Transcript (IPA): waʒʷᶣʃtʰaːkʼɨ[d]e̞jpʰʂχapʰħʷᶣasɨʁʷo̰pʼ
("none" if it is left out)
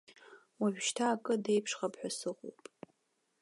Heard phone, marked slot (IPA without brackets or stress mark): d